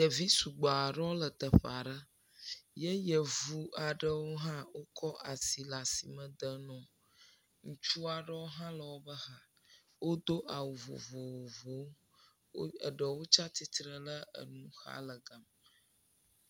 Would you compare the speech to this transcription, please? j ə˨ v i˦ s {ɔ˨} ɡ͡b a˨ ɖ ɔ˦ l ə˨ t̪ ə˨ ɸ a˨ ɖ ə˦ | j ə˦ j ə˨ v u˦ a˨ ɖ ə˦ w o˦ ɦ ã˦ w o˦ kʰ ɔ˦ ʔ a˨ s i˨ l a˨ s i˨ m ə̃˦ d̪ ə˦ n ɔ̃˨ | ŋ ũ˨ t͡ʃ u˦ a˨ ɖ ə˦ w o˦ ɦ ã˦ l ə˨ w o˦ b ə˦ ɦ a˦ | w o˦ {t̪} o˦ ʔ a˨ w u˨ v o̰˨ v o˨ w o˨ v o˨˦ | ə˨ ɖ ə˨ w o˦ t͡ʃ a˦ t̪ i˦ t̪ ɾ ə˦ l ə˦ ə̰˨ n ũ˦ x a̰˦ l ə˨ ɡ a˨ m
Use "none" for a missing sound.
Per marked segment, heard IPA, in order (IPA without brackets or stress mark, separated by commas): u˨, d̪